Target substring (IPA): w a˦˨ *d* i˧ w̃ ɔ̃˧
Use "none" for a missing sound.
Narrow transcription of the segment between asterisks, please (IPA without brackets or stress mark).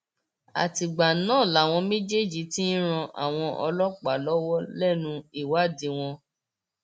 d